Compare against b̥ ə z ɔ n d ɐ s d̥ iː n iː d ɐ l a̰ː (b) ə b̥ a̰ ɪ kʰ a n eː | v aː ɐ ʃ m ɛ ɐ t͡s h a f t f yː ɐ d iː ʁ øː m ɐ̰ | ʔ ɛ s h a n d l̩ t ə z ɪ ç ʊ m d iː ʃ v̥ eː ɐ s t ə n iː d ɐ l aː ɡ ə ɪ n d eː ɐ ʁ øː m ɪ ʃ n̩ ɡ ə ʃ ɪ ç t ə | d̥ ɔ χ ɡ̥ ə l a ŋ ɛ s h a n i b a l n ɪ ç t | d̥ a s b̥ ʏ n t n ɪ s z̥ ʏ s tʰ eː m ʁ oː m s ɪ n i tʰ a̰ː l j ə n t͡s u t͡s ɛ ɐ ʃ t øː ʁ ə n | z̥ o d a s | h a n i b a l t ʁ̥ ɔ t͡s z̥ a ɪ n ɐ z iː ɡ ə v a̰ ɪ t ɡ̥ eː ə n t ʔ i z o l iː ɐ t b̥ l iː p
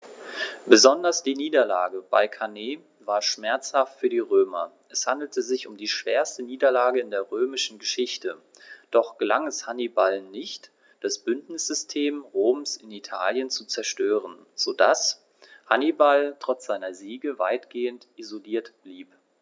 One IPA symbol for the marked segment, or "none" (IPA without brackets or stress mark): ɡ